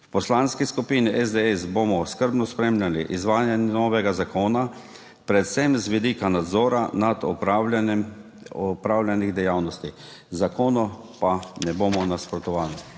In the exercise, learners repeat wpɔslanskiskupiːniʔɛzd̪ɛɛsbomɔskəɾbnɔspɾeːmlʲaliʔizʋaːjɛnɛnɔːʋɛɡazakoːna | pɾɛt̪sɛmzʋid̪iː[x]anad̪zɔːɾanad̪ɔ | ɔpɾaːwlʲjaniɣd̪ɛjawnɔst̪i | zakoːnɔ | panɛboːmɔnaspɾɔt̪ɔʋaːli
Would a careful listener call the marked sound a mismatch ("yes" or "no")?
yes